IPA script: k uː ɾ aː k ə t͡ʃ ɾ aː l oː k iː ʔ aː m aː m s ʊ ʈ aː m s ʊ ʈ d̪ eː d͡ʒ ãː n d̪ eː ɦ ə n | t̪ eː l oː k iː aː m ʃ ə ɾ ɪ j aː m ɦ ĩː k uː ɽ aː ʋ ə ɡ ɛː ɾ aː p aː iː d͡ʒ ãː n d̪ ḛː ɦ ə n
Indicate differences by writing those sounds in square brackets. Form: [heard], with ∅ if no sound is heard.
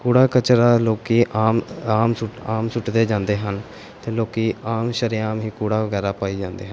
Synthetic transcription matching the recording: k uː [ɽ] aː k ə t͡ʃ ɾ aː l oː k iː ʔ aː m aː m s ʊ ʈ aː m s ʊ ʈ d̪ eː d͡ʒ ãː n d̪ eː ɦ ə n | t̪ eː l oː k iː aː m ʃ ə ɾ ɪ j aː m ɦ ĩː k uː ɽ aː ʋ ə ɡ ɛː ɾ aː p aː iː d͡ʒ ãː n d̪ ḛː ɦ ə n